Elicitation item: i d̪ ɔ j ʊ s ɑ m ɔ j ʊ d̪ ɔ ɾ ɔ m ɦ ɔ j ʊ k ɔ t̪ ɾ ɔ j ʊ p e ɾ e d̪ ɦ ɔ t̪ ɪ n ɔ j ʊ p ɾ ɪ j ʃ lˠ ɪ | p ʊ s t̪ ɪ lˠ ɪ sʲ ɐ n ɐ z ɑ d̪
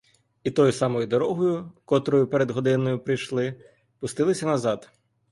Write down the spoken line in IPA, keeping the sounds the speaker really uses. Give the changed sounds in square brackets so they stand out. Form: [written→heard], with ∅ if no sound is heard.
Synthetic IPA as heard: i [d̪→t̪] ɔ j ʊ s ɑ m ɔ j ʊ d̪ ɔ ɾ ɔ [m→∅] ɦ ɔ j ʊ k ɔ t̪ ɾ ɔ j ʊ p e ɾ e d̪ ɦ ɔ [t̪→d̪] ɪ n ɔ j ʊ p ɾ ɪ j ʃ lˠ ɪ | p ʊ s t̪ ɪ lˠ ɪ sʲ ɐ n ɐ z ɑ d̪